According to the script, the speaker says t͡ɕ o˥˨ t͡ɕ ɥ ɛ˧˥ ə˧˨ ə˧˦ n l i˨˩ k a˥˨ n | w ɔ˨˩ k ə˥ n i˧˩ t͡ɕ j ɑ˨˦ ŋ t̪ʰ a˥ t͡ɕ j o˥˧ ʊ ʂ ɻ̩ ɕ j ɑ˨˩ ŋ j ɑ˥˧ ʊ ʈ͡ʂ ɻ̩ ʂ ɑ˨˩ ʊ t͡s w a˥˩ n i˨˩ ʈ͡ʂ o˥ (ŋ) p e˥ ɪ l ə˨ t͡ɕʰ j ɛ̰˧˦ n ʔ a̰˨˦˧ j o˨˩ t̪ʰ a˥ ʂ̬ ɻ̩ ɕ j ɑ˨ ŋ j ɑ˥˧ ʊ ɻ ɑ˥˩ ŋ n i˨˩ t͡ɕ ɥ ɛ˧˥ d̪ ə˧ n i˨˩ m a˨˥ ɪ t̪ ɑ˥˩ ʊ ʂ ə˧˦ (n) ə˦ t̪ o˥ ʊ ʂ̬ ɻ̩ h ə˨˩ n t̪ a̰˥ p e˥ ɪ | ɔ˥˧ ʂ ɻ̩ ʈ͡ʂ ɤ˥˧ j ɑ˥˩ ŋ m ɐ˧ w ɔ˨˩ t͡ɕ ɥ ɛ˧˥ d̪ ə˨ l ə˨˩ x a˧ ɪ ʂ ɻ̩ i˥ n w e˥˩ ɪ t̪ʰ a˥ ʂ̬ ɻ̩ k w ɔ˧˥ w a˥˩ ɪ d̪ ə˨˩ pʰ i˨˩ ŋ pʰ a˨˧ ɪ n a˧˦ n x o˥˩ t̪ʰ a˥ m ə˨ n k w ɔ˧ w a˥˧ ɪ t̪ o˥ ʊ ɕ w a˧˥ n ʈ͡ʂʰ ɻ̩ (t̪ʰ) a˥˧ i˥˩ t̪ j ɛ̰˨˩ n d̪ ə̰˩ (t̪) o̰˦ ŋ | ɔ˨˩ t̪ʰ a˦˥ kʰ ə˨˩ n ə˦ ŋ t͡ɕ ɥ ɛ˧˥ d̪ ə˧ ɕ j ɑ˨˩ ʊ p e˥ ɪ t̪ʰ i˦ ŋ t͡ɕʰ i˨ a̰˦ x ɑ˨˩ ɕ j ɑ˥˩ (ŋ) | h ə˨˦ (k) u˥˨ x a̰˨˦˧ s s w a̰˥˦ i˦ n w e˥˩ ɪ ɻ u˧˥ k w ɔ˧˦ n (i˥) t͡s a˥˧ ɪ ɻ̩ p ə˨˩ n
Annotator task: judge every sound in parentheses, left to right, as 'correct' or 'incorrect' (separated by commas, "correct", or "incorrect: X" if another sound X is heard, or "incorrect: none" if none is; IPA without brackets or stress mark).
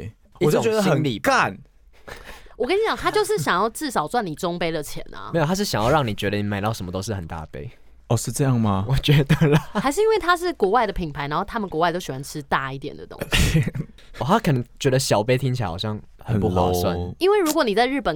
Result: correct, incorrect: m, incorrect: t̪, correct, correct, incorrect: p, incorrect: i˨˩